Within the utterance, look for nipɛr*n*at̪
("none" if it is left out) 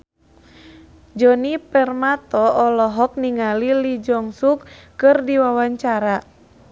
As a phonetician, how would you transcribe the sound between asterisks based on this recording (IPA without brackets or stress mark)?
m